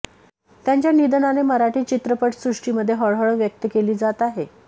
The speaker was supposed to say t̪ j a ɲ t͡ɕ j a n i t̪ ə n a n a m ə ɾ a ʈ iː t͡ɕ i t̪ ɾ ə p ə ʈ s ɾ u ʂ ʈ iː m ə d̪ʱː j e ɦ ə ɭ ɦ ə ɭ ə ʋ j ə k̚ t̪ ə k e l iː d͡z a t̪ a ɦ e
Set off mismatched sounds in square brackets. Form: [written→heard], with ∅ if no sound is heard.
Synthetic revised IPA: t̪ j a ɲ t͡ɕ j a n i [t̪→d̪] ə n a n [a→e] m ə ɾ a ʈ iː t͡ɕ i t̪ ɾ ə p ə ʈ s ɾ u ʂ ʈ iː m ə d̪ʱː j e ɦ ə ɭ ɦ ə ɭ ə ʋ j ə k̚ t̪ ə k e l iː d͡z a t̪ a ɦ e